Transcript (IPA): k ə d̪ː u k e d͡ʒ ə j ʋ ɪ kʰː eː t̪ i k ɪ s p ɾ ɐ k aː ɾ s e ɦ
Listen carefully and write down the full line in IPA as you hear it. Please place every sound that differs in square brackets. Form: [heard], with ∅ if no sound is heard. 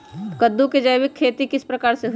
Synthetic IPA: k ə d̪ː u k e d͡ʒ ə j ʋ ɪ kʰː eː t̪ i k ɪ s p ɾ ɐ k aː ɾ s e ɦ